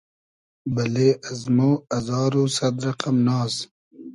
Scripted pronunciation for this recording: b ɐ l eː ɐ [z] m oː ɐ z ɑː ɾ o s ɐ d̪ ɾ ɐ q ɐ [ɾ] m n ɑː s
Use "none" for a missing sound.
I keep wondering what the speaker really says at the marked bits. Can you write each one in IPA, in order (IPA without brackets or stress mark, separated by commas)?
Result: z, none